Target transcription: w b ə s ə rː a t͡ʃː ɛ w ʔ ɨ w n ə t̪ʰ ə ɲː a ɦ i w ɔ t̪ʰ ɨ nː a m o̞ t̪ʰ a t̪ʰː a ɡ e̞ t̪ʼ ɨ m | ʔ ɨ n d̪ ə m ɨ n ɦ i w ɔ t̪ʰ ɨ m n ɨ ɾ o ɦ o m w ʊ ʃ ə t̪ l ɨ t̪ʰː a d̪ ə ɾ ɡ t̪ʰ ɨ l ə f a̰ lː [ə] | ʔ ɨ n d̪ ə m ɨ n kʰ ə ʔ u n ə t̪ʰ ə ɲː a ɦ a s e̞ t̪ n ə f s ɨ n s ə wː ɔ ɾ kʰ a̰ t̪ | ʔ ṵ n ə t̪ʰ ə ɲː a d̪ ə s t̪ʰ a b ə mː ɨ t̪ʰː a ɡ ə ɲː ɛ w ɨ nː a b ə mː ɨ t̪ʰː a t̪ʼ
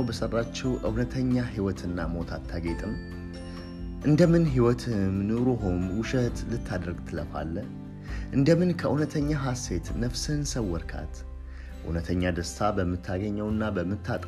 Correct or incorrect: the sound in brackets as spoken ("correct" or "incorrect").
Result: correct